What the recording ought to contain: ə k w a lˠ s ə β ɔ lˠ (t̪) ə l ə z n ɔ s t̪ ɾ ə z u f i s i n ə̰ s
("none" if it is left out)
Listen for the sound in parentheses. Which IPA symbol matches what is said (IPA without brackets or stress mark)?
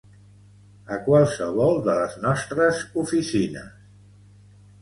d̪